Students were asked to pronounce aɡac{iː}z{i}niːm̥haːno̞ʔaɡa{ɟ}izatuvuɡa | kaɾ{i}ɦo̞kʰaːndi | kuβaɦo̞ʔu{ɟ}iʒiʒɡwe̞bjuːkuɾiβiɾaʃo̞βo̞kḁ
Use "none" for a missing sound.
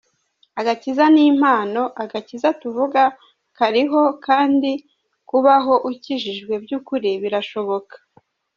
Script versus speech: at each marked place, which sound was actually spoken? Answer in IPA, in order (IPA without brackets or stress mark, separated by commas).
i, a, c, i, c